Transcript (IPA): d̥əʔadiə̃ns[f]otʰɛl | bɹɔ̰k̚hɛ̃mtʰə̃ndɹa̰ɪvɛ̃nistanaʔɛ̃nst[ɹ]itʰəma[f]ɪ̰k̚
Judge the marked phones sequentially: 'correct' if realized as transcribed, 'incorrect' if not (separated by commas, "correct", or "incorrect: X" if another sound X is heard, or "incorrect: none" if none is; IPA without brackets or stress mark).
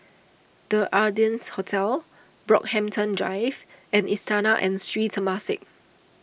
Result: incorrect: h, correct, incorrect: s